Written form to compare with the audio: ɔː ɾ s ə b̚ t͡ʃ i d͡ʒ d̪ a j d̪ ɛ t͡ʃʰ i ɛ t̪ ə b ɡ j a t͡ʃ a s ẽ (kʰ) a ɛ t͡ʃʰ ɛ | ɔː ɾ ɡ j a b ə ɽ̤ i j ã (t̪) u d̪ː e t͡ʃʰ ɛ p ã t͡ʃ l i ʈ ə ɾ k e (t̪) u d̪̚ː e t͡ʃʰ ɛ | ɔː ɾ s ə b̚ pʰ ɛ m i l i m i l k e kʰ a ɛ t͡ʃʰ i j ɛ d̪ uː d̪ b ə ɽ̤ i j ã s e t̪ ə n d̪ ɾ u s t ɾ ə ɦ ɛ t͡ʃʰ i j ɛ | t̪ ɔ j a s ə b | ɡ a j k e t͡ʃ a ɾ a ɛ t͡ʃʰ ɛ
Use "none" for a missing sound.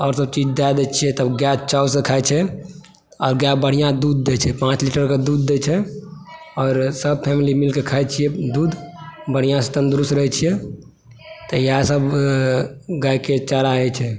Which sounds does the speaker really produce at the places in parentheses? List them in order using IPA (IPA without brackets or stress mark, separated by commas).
kʰ, d̪, d̪